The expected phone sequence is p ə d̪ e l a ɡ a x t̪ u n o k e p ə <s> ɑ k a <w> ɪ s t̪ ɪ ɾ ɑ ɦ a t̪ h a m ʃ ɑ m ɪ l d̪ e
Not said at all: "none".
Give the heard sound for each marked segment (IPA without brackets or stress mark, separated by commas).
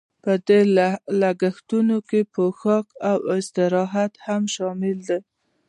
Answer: x, w